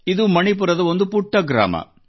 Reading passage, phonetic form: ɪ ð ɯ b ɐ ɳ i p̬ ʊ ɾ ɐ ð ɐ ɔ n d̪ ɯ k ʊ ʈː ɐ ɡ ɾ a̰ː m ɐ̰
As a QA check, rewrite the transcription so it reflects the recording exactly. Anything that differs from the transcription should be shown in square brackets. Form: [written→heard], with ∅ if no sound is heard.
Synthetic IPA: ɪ ð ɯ [b→m] ɐ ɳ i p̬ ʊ ɾ ɐ ð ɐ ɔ n d̪ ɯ [k→p] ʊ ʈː ɐ ɡ ɾ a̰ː m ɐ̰